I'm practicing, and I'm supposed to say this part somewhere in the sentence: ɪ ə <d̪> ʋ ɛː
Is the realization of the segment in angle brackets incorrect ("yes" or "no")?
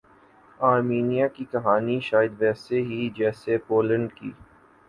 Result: no